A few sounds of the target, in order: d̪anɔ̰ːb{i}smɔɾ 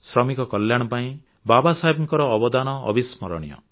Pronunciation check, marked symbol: correct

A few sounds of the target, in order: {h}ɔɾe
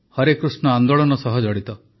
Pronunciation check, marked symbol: correct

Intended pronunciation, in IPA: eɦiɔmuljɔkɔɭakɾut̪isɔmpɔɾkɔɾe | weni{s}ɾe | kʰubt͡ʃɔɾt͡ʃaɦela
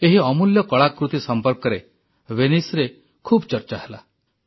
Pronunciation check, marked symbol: correct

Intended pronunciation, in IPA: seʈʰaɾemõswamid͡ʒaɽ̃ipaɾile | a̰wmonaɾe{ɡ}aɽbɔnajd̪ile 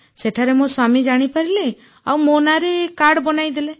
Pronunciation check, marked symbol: incorrect: k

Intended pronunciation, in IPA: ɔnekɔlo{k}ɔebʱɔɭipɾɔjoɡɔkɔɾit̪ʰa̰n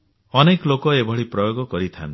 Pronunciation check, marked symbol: correct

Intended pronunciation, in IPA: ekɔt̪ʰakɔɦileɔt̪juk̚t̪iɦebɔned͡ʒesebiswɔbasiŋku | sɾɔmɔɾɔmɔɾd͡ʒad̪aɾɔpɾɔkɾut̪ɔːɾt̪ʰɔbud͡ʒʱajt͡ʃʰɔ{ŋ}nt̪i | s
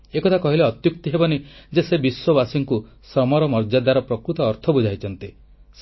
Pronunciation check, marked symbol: incorrect: none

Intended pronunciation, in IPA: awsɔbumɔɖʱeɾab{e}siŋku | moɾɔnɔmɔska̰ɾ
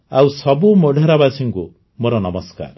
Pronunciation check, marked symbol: incorrect: a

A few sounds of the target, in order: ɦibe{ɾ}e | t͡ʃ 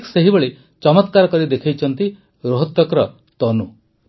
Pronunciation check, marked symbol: incorrect: ɭ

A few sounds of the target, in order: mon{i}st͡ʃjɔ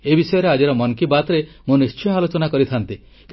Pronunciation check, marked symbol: correct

